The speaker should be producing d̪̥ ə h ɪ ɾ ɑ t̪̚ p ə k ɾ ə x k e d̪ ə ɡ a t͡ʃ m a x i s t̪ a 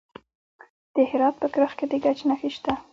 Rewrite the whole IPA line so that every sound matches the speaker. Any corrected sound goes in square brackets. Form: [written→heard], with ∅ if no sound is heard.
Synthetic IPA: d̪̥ ə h ɪ ɾ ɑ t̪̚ p ə k ɾ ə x k e d̪ ə ɡ a t͡ʃ [m→n] a x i [s→ʃ] t̪ a